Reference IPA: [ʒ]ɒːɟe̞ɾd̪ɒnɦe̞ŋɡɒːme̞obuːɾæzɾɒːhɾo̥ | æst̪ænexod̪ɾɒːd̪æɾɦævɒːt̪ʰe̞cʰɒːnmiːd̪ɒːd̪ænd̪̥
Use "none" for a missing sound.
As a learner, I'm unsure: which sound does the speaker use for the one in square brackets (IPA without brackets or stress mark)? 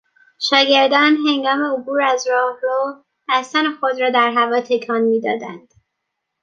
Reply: ʃ